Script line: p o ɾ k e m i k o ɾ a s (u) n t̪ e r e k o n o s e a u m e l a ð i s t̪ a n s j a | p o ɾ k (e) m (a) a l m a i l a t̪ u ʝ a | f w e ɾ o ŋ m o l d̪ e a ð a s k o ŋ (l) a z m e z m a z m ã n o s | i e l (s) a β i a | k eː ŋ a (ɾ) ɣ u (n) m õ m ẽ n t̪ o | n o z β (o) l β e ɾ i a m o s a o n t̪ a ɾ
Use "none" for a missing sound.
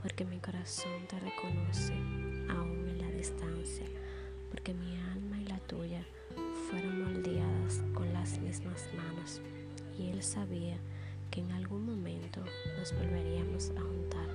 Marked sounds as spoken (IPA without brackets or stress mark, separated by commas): o, e, i, l, s, l, ŋ, o